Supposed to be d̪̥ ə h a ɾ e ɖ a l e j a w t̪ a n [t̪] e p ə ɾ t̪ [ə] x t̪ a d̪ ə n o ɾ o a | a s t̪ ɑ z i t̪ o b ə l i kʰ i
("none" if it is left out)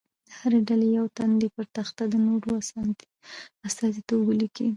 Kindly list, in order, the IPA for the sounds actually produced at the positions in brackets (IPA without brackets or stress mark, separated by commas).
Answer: d̪, a